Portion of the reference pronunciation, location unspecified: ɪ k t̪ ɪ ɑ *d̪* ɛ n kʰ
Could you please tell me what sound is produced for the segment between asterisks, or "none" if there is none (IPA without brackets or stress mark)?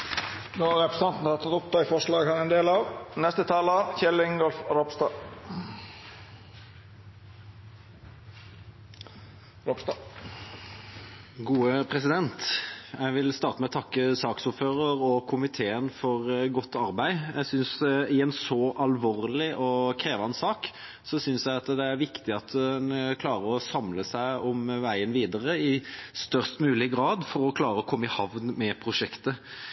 t̪